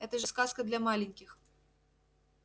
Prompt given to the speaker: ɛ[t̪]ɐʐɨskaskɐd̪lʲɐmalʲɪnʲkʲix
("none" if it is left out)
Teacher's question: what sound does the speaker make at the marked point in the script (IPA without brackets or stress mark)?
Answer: t̪